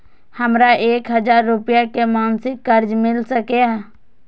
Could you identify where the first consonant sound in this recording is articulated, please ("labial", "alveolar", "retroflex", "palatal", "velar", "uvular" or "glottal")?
glottal